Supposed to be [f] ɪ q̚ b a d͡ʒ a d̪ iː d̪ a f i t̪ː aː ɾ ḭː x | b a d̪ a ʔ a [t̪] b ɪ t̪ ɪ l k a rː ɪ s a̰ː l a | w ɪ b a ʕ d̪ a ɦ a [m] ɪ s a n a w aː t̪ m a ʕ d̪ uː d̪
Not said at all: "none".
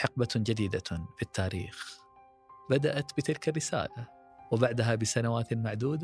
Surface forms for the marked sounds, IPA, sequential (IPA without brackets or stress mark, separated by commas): ħ, t̪, b